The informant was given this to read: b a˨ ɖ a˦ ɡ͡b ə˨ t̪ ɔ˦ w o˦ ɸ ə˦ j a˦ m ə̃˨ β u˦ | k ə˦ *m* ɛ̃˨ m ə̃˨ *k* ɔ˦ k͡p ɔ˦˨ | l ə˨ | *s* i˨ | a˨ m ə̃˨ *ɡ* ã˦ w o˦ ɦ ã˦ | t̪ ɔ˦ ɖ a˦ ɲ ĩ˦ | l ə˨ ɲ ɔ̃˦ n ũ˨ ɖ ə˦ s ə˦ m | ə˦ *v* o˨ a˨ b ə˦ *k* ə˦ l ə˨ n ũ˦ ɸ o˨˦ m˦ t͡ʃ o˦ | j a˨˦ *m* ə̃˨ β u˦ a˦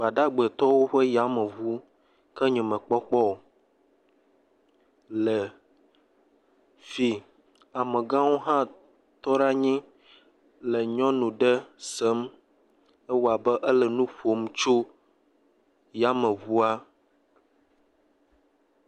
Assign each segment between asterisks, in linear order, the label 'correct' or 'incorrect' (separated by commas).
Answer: incorrect, incorrect, incorrect, correct, incorrect, incorrect, correct